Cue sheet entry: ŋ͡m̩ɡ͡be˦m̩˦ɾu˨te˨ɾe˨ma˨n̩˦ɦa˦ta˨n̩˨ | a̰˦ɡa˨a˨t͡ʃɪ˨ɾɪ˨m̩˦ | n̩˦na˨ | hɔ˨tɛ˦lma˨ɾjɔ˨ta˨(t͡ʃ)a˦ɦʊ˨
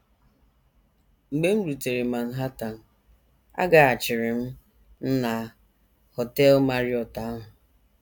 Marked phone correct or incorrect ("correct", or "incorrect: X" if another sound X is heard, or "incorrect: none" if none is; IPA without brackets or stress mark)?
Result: incorrect: none